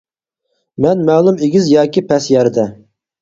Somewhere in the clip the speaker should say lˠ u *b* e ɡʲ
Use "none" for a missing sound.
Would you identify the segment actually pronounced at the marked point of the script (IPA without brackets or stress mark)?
m